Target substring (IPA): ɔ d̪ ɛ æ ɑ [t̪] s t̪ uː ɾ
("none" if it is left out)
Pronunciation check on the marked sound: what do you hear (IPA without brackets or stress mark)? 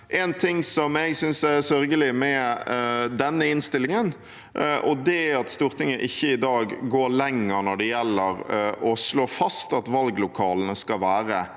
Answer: t̪